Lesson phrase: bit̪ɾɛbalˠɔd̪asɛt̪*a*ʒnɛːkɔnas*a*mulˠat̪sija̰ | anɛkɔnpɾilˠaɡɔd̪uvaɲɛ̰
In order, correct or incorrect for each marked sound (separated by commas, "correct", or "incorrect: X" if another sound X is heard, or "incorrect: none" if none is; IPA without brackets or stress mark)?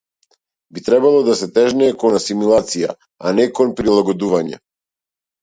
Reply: incorrect: ɛ, incorrect: i